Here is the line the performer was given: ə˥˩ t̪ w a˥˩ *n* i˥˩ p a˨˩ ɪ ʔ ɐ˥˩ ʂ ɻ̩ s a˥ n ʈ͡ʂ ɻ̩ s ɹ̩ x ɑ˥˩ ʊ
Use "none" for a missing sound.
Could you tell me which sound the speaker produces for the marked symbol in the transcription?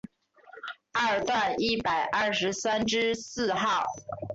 n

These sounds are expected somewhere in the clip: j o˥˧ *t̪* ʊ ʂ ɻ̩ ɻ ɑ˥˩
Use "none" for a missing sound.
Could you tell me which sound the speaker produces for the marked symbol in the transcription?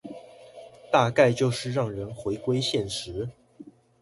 none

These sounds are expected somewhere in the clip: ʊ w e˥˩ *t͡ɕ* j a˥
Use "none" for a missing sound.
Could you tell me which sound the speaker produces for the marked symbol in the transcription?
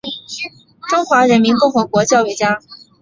t͡ɕ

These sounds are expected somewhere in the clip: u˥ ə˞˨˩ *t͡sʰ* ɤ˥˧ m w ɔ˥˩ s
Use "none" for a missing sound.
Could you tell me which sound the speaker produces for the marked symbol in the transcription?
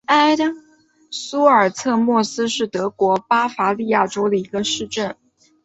t͡sʰ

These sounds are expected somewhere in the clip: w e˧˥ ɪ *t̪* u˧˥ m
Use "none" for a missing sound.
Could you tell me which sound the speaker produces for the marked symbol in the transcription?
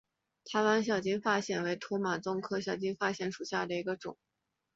t̪ʰ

